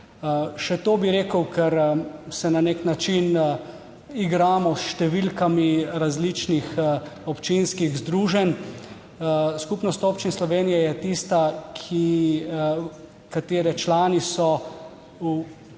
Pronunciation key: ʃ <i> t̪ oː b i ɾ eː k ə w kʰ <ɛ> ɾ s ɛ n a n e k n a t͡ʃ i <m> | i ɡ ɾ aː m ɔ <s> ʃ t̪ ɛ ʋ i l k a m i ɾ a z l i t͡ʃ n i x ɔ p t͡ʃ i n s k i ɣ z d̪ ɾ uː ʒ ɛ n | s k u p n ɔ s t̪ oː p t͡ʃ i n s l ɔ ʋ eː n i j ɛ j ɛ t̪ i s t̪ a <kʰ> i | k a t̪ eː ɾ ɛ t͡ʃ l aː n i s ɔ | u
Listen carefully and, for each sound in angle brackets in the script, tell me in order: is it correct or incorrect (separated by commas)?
incorrect, correct, incorrect, correct, correct